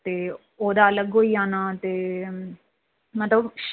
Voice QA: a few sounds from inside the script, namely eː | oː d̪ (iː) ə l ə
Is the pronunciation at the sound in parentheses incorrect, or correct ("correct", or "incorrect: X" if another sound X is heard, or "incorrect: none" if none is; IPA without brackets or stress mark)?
incorrect: aː